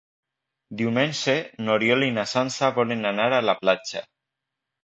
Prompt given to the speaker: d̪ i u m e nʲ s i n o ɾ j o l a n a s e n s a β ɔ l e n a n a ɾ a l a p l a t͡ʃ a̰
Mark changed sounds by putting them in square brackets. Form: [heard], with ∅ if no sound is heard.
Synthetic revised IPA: d̪ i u m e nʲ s [e] n o ɾ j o l [i] n a s [a] n s a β ɔ l e n a n a ɾ a l a p l a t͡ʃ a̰